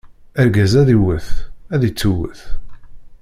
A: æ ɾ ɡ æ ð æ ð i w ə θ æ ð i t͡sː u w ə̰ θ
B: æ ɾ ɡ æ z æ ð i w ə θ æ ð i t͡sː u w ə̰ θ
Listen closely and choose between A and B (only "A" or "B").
B